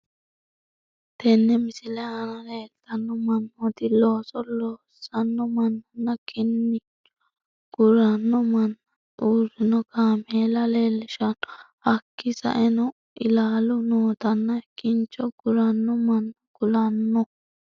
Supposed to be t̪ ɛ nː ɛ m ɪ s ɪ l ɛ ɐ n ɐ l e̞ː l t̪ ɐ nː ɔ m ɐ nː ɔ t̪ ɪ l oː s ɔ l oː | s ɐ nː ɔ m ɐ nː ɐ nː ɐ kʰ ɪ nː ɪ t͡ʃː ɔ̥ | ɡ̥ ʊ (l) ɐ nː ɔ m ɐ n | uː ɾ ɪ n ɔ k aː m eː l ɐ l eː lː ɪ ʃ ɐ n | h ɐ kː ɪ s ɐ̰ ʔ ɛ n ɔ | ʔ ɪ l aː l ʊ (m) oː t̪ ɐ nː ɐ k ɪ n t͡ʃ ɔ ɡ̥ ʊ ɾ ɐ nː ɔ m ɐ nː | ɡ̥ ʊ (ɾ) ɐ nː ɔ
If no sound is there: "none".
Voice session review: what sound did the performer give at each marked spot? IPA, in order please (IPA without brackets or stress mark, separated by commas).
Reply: ɾ, n, l